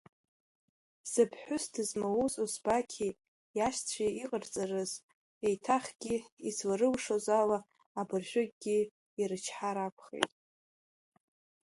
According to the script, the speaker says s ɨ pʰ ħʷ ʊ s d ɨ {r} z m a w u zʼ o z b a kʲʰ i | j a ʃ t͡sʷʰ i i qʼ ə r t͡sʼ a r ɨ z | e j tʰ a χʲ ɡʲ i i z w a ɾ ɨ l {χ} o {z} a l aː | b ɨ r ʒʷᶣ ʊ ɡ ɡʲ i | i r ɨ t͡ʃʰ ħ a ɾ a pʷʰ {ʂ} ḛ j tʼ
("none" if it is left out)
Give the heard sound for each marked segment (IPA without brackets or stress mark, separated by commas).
none, ʂ, z, χ